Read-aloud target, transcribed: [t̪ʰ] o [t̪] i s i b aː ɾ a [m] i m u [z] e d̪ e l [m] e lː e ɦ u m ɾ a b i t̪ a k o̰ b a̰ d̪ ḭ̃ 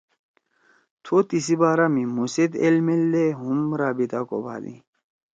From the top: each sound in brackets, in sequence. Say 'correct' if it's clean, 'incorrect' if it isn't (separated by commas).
correct, correct, correct, incorrect, correct